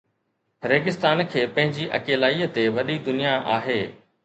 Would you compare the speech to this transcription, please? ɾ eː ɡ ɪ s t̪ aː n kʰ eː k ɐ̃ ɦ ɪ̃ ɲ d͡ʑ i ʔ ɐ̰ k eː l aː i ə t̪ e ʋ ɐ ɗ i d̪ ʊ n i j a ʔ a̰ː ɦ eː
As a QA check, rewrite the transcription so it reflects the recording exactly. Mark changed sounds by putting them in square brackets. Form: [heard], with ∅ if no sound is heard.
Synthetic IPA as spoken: ɾ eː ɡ ɪ s t̪ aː n kʰ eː [p] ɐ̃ ɦ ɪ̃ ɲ d͡ʑ i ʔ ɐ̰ k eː l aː i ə t̪ e ʋ ɐ ɗ i d̪ ʊ n i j a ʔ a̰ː ɦ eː